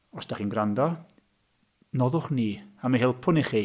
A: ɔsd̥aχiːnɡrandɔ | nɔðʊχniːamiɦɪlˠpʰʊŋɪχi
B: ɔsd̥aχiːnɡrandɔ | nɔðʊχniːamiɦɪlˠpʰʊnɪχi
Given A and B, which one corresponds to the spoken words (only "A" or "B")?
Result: B